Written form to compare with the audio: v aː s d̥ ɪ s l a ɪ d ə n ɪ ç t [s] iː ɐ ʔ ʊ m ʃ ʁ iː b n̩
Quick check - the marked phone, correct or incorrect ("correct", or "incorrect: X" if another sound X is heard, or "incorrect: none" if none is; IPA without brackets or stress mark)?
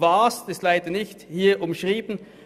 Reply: incorrect: h